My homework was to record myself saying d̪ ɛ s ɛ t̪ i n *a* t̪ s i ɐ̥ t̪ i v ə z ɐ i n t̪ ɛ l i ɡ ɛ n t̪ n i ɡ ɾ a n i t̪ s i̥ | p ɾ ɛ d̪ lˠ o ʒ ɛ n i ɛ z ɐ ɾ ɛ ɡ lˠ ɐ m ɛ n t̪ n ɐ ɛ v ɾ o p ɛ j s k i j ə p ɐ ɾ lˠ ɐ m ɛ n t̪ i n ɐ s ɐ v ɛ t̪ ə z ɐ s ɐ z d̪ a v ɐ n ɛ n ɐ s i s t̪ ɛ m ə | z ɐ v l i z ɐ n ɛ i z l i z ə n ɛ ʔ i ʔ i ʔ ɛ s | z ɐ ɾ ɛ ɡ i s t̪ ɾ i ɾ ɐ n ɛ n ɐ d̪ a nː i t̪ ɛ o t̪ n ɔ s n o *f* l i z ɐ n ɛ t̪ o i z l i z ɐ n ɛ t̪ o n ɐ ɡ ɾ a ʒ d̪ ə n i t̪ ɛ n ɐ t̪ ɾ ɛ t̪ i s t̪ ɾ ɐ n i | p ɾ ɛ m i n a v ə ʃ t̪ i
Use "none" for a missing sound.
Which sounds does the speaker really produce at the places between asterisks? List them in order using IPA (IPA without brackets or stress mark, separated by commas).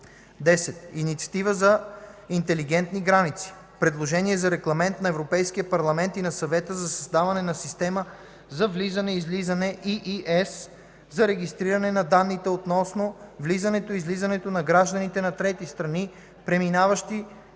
i, v